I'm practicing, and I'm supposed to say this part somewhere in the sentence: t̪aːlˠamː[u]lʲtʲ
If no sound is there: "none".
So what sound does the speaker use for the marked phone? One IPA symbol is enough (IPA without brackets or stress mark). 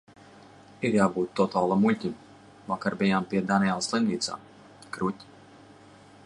u